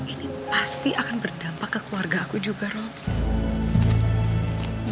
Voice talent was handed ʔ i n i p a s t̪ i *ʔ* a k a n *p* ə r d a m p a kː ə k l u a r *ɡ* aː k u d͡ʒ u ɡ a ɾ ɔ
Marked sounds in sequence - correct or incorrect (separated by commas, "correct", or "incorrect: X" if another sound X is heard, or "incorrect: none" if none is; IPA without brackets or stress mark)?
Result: correct, incorrect: b, correct